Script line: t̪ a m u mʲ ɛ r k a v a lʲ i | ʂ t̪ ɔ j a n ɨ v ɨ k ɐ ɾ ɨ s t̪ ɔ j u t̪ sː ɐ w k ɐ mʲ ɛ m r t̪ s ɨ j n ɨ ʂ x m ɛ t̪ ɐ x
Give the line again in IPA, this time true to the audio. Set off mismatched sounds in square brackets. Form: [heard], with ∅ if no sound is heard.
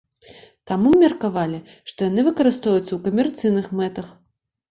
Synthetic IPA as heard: t̪ a m u mʲ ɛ r k a v a lʲ i | ʂ t̪ ɔ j a n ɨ v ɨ k ɐ ɾ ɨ s t̪ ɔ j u t̪ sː ɐ w k ɐ mʲ ɛ [∅] r t̪ s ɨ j n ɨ [∅] x m ɛ t̪ ɐ x